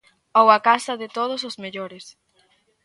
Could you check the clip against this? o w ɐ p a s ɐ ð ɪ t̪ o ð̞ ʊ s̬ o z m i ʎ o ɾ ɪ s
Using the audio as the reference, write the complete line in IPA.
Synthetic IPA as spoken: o w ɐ k a s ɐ ð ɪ t̪ o ð̞ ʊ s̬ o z m e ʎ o ɾ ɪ s